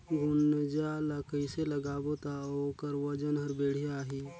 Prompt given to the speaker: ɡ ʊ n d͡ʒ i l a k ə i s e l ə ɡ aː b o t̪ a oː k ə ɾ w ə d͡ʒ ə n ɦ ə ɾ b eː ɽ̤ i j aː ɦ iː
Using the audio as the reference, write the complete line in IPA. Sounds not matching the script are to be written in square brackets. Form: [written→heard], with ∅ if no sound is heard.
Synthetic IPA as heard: ɡ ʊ n d͡ʒ [i→a] l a k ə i s e l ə ɡ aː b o t̪ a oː k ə ɾ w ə d͡ʒ ə n ɦ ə ɾ b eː ɽ̤ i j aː ɦ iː